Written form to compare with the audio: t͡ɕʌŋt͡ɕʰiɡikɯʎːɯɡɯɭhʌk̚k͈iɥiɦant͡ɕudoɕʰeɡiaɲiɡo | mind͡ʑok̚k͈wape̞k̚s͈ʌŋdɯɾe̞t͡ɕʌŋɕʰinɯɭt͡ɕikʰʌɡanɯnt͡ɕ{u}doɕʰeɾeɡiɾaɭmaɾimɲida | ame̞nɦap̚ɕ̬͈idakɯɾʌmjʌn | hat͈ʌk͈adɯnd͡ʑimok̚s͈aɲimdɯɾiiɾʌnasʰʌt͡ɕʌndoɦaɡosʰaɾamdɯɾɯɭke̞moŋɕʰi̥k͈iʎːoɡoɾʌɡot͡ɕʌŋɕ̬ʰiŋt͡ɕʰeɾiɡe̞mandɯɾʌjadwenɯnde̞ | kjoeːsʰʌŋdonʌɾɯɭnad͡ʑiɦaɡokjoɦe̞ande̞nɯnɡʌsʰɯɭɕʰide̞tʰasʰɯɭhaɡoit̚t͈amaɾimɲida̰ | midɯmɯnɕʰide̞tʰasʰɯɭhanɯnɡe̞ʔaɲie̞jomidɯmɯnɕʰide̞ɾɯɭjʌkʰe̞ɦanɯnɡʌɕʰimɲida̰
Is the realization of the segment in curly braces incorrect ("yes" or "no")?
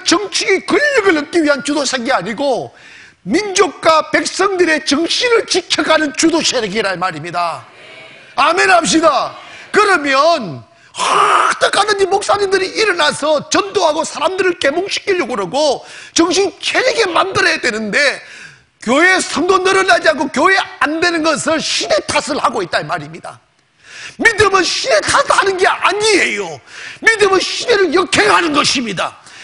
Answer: no